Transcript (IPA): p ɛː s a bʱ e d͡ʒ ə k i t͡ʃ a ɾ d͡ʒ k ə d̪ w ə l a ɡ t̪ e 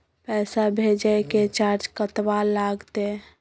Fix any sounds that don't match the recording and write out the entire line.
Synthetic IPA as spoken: p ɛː s a bʱ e d͡ʒ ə k e t͡ʃ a ɾ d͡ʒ k ə t̪ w a l a ɡ t̪ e

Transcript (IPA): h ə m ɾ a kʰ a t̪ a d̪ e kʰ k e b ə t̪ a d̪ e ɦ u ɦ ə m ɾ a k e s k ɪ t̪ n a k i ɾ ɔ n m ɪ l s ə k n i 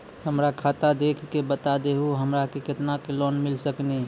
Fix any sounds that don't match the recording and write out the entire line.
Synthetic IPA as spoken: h ə m ɾ a kʰ a t̪ a d̪ e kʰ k e b ə t̪ a d̪ e ɦ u ɦ ə m ɾ a k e k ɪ t̪ n a k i l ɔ n m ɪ l s ə k n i

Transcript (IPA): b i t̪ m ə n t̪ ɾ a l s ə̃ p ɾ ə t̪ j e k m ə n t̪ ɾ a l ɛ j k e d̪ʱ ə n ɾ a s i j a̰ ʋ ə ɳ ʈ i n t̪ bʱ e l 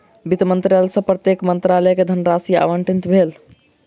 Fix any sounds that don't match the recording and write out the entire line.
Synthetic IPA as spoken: b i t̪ m ə n t̪ ɾ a l s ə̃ p ɾ ə t̪ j e k m ə n t̪ ɾ a l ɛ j k e d̪ʱ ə n ɾ a s i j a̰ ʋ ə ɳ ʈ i n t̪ bʱ e l

